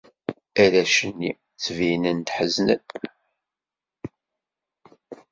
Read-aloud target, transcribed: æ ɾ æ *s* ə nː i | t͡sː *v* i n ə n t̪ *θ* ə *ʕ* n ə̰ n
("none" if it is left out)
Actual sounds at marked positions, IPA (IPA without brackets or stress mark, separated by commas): ʃ, v, ħ, z